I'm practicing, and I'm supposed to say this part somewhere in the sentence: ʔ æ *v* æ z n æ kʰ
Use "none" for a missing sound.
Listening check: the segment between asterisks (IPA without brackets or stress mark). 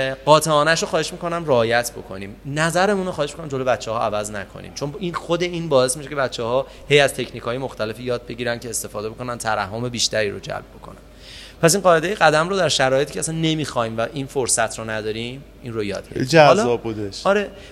v